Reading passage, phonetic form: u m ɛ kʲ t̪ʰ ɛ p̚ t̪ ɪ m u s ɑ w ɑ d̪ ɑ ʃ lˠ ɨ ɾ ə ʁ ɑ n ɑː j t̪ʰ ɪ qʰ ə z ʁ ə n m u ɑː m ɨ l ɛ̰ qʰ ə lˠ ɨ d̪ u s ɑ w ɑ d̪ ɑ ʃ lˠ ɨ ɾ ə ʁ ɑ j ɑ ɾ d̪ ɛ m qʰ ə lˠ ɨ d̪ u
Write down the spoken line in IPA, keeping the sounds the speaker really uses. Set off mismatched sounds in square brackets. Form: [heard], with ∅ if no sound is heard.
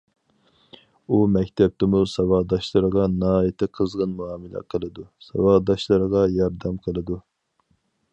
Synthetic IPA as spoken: u m ɛ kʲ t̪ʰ ɛ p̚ t̪ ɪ m u s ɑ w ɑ d̪ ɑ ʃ lˠ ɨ ɾ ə ʁ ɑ n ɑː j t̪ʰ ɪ qʰ ə z ʁ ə n m u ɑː m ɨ l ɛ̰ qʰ ə lˠ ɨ d̪ u s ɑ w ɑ d̪ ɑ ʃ lˠ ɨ ɾ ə ʁ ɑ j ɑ ɾ d̪ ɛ m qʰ ə lˠ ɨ d̪ u